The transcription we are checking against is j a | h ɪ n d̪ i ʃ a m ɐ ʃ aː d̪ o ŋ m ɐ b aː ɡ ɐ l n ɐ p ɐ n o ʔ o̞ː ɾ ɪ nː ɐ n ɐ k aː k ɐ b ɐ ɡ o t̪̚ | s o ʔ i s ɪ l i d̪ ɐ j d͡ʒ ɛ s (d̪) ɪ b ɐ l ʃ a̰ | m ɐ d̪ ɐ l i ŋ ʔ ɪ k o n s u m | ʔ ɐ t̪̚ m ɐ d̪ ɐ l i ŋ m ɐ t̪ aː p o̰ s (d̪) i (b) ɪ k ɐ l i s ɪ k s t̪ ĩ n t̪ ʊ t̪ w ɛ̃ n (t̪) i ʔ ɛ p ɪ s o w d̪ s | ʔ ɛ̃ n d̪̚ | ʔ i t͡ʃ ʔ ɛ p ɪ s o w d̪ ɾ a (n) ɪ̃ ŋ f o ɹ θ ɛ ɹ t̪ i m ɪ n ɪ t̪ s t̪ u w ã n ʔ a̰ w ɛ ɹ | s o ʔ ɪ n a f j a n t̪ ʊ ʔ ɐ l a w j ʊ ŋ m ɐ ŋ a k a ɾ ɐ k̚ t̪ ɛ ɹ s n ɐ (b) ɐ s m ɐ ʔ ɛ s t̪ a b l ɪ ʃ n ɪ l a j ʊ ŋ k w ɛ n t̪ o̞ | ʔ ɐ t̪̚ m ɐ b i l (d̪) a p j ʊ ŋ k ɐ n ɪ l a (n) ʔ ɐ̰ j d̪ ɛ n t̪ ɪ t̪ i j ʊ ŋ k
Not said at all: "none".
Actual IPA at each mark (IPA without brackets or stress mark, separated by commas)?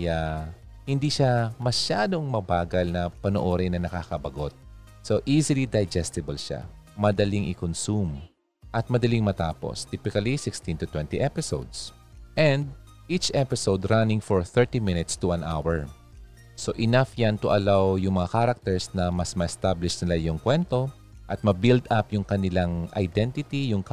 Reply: t̪, t̪, p, t̪, n, m, d̪, ŋ